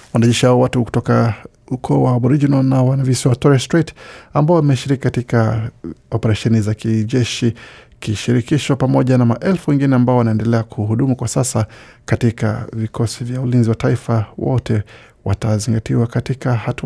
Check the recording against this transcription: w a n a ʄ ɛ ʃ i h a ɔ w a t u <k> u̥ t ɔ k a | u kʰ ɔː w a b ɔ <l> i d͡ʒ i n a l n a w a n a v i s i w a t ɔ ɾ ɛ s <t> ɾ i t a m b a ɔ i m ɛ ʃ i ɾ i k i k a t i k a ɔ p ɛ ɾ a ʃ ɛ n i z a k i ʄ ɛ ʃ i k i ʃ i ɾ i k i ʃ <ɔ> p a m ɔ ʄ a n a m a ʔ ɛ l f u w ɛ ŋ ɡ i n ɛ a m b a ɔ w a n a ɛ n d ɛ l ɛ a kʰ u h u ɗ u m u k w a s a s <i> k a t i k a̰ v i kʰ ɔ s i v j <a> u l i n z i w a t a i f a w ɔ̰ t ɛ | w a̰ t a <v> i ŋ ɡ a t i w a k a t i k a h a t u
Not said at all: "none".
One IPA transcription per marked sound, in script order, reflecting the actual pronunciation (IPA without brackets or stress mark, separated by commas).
k, ɾ, t, ɔ, a, a, z